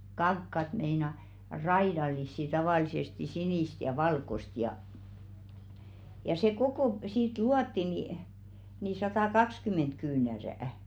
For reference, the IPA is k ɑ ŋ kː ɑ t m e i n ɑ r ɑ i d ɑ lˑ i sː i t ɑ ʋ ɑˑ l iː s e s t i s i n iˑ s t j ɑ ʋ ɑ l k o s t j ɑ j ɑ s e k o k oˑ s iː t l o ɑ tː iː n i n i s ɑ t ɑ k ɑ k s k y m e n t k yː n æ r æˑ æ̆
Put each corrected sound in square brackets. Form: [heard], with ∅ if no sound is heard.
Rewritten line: k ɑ ŋ kː ɑ t m e i n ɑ r ɑ i d ɑ lˑ i sː i t ɑ ʋ ɑˑ l [i] s e s t i s i n iˑ s t j ɑ ʋ ɑ l k o s t j ɑ j ɑ s e k o k oˑ s iː t l [u] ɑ tː [i] n i n i s ɑ t ɑ k ɑ k s k y m e n t k yː n æ r æˑ æ̆